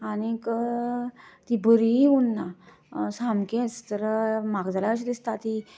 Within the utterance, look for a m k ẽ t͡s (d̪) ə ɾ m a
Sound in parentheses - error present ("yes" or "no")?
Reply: yes